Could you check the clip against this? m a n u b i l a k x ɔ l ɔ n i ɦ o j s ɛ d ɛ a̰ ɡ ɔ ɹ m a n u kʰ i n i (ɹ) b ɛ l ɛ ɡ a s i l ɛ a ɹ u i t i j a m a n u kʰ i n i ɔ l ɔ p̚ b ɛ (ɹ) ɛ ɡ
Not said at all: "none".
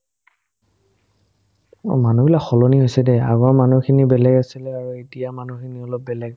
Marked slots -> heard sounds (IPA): none, l

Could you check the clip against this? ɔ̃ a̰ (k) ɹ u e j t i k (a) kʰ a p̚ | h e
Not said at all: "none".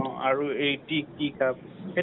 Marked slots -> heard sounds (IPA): none, i

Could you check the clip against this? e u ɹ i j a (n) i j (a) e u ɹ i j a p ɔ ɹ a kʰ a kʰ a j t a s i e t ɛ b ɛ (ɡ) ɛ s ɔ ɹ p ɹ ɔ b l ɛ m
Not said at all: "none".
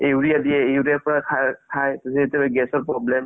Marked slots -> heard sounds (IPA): d, ɛ, ɡ

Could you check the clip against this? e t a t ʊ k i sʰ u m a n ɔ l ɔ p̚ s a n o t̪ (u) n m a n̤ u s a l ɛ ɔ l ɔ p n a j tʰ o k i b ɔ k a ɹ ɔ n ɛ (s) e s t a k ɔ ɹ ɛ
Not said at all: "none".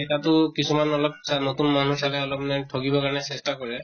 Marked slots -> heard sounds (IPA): u, s

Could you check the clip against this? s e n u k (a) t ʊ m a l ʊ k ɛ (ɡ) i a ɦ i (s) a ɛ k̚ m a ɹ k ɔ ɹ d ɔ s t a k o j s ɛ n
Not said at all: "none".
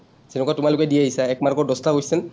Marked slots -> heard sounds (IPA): a, d, s

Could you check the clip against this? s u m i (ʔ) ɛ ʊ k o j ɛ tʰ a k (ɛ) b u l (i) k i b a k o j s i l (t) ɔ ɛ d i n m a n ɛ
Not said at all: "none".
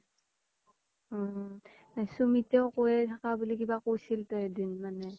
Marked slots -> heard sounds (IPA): t, a, i, t

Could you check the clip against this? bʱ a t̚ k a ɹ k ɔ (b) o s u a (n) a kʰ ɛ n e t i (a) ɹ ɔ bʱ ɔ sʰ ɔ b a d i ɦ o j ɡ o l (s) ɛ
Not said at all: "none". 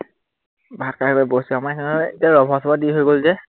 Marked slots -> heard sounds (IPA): b, m, a, z

